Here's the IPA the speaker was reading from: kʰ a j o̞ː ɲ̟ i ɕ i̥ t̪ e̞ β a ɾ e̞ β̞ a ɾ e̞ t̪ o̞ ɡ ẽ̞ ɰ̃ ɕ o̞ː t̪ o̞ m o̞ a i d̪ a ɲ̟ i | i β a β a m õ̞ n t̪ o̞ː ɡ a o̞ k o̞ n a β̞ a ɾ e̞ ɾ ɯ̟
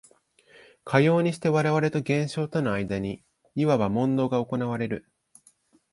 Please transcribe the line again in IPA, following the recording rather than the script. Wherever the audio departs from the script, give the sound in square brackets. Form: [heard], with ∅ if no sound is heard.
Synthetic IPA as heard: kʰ a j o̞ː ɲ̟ i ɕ i̥ t̪ e̞ β a ɾ e̞ β̞ a ɾ e̞ t̪ o̞ ɡ ẽ̞ ɰ̃ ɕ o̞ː t̪ o̞ [n] o̞ a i d̪ a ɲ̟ i | i β a β a m õ̞ n [d̪] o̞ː ɡ a o̞ k o̞ n a β̞ a ɾ e̞ ɾ ɯ̟

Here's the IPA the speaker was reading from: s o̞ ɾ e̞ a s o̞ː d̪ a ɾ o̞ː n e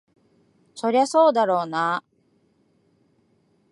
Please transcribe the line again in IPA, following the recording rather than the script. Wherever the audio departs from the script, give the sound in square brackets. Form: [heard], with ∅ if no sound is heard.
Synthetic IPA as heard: s o̞ ɾ e̞ a s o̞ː d̪ a ɾ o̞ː n [a]

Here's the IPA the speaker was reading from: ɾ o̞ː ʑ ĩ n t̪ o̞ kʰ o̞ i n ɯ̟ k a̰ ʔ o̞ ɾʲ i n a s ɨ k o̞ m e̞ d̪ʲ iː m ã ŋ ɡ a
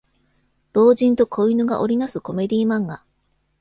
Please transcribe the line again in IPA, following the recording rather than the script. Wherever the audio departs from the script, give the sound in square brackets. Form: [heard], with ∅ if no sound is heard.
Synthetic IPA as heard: ɾ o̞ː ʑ ĩ n t̪ o̞ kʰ o̞ i n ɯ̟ [ɡ] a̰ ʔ o̞ ɾʲ i n a s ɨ k o̞ m e̞ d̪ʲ iː m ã ŋ ɡ a

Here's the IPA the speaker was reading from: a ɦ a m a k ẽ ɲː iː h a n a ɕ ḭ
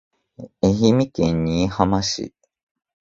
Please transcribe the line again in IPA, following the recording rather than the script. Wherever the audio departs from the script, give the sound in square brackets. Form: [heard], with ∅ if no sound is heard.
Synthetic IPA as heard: [e] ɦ [i] m [i] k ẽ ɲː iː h a [m] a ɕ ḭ

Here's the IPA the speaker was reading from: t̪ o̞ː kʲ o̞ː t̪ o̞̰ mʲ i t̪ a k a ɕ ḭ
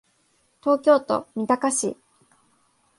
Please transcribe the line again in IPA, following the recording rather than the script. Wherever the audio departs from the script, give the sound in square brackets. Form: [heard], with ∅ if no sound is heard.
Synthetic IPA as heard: t̪ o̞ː kʲ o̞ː t̪ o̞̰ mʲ i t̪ a k a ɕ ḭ

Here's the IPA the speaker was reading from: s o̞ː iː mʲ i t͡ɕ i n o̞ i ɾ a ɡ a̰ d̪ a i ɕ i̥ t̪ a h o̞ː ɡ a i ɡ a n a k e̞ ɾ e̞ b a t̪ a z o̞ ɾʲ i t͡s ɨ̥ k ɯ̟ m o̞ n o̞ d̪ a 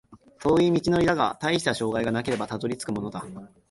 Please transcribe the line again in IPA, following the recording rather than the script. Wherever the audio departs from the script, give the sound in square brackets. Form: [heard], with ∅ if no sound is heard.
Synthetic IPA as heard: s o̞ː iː mʲ i t͡ɕ i n o̞ i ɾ a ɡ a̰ [t̪] a i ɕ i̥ t̪ a [ɕ] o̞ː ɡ a i ɡ a n a k e̞ ɾ e̞ b a t̪ a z o̞ ɾʲ i t͡s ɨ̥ k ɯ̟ m o̞ n o̞ d̪ a

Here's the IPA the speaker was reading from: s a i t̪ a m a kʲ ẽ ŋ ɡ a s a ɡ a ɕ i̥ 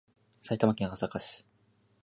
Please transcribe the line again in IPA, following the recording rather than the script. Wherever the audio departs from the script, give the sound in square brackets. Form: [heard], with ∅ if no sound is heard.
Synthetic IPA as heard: s a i t̪ a m a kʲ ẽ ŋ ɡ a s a [k] a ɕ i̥

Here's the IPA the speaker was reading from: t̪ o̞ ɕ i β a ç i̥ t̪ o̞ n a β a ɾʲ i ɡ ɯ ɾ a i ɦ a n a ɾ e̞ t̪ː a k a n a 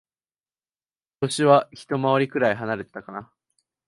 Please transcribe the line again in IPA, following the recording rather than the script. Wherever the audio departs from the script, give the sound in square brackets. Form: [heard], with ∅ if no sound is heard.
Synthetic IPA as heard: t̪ o̞ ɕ i β a ç i̥ t̪ o̞ [m] a β a ɾʲ i [k] ɯ ɾ a i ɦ a n a ɾ e̞ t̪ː a k a n a

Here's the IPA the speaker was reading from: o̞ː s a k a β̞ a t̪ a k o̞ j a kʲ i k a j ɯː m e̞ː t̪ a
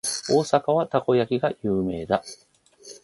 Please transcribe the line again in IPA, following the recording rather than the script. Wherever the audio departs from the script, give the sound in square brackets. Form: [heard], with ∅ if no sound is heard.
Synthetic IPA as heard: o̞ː s a k a β̞ a t̪ a k o̞ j a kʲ i [ɡ] a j ɯː m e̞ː [d̪] a

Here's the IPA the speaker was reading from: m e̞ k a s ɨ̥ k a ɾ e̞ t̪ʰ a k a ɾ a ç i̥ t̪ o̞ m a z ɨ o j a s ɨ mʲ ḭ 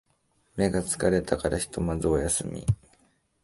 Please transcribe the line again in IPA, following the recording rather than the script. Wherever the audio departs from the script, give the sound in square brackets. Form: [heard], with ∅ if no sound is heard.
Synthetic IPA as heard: m e̞ [ɡ] a [t͡s] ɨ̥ k a ɾ e̞ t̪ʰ a k a ɾ a ç i̥ t̪ o̞ m a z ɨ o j a s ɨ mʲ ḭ

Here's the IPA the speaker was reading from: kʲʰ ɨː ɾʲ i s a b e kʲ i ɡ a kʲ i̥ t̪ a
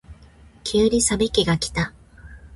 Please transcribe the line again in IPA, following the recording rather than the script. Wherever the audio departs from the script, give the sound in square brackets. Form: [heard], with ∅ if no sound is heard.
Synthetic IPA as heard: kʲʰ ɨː ɾʲ i s a b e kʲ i ɡ a kʲ i̥ t̪ a

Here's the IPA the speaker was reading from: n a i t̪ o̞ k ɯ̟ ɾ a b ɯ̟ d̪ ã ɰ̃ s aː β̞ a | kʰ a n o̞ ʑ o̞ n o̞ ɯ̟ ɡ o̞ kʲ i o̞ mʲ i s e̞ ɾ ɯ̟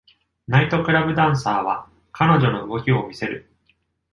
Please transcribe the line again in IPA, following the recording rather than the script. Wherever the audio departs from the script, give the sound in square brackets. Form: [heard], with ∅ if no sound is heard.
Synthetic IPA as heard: n a i t̪ o̞ k ɯ̟ ɾ a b ɯ̟ d̪ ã ɰ̃ s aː β̞ a | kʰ a n o̞ ʑ o̞ n o̞ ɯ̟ ɡ o̞ kʲ i o̞ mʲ i s e̞ ɾ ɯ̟

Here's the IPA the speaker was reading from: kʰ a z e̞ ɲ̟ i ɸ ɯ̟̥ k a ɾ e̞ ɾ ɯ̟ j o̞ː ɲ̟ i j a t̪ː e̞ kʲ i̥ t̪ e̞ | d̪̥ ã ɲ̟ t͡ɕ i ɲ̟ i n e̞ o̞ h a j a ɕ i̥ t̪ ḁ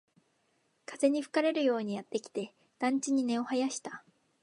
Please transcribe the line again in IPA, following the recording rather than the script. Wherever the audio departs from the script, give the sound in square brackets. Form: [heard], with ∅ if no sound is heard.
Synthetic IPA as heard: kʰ a z e̞ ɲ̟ i ɸ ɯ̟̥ k a ɾ e̞ ɾ ɯ̟ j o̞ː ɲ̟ i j a t̪ː e̞ kʲ i̥ t̪ e̞ | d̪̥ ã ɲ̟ t͡ɕ i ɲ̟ i n e̞ o̞ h a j a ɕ i̥ t̪ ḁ

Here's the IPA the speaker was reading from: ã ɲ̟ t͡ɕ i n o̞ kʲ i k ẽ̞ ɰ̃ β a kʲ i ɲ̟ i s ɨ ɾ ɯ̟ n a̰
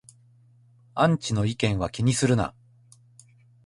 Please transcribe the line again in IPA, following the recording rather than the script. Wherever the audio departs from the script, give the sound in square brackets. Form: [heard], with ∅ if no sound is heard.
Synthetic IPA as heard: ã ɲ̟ t͡ɕ i n o̞ [∅] i k ẽ̞ ɰ̃ β a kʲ i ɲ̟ i s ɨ ɾ ɯ̟ n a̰

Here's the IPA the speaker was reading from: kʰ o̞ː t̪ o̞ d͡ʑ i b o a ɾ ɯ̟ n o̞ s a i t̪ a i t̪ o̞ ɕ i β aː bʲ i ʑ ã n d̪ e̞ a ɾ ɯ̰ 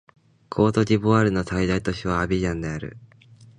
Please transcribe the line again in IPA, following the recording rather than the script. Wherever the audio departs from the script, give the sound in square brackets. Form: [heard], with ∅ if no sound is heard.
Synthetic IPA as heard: kʰ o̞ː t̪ o̞ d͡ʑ i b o a ɾ ɯ̟ n o̞ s a i [d̪] a i t̪ o̞ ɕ i β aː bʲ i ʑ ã n d̪ e̞ a ɾ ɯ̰

